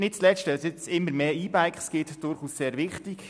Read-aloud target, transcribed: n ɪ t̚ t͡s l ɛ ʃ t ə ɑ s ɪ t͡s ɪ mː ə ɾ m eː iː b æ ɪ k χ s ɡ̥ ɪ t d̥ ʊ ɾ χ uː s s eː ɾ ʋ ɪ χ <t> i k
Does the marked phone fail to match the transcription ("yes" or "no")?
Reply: no